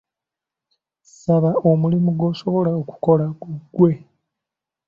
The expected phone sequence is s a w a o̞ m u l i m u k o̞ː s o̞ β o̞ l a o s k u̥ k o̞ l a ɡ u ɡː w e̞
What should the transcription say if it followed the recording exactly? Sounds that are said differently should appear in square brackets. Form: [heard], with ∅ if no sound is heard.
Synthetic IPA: s a [β] a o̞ m u l i m u [ɡ] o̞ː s o̞ β o̞ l a o [∅] k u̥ k o̞ l a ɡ u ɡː w e̞